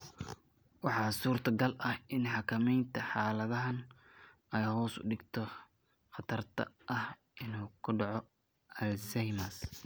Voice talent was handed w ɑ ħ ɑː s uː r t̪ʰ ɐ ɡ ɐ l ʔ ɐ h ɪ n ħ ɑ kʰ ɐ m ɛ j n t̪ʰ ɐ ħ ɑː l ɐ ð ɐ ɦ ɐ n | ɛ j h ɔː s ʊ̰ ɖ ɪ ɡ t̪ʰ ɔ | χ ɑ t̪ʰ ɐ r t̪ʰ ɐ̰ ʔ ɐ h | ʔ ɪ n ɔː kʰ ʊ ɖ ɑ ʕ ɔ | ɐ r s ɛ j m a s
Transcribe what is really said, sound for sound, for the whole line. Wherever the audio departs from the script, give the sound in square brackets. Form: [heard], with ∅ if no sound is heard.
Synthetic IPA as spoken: w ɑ ħ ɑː s uː r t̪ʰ ɐ ɡ ɐ l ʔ ɐ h ɪ n ħ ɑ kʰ ɐ m ɛ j n t̪ʰ ɐ ħ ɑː l ɐ ð ɐ ɦ ɐ n | ɛ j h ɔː s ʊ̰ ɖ ɪ ɡ t̪ʰ ɔ | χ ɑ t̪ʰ ɐ r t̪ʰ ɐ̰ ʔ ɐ h | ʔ ɪ n [uː] kʰ ʊ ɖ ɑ ʕ ɔ | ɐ [l] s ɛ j m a s